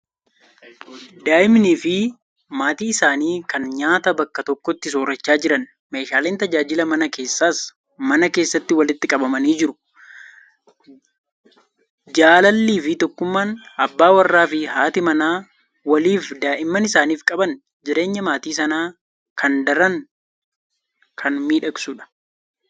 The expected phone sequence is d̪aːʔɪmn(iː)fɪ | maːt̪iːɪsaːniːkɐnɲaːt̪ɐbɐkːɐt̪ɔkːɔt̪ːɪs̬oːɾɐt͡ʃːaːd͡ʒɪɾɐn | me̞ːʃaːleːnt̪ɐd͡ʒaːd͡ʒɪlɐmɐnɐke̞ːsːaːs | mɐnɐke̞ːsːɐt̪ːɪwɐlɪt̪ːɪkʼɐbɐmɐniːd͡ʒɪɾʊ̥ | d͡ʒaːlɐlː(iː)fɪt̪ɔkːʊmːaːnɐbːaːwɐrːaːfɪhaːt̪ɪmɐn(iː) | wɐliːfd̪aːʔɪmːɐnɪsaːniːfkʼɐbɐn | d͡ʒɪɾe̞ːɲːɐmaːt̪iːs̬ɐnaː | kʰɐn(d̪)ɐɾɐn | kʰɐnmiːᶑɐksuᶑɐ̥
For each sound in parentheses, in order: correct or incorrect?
correct, correct, incorrect, correct

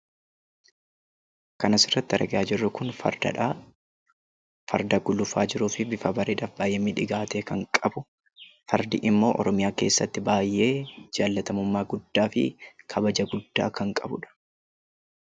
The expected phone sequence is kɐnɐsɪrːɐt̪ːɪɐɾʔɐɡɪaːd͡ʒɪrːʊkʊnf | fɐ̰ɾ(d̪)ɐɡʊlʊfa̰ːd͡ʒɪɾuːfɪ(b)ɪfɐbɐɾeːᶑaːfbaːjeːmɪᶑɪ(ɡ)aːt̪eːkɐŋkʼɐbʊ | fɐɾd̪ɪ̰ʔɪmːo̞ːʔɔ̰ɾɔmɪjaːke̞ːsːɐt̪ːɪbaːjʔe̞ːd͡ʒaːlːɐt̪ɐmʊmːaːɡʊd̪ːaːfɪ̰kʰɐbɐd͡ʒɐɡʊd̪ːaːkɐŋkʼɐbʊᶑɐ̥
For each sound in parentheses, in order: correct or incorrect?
correct, correct, correct

